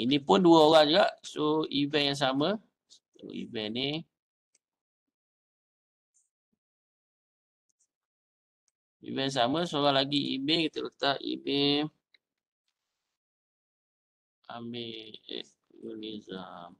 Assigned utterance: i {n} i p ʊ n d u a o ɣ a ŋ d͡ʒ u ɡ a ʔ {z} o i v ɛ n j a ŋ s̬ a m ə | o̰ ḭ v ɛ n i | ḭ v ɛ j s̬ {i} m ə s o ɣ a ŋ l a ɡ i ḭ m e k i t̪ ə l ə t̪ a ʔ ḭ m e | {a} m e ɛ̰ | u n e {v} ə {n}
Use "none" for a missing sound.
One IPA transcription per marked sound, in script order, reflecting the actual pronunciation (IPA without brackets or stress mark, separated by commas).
n, s, a, a, z, m